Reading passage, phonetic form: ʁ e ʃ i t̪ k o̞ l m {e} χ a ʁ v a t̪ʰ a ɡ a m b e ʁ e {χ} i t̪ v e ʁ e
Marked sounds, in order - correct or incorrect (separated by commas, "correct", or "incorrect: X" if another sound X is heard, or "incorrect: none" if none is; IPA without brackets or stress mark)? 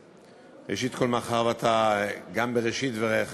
incorrect: a, incorrect: ʃ